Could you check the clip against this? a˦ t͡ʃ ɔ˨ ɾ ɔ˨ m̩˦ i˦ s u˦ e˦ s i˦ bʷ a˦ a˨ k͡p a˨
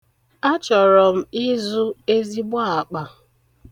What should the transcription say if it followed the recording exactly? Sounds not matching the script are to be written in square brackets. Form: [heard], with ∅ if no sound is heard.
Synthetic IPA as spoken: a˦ t͡ʃ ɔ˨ ɾ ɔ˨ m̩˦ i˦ [z] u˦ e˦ [z] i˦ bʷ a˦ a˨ k͡p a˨